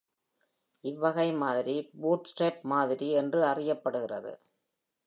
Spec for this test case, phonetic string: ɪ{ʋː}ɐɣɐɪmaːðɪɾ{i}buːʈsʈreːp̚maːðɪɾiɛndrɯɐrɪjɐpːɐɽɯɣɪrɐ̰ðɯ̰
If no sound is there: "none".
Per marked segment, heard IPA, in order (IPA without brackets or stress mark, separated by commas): ʋː, i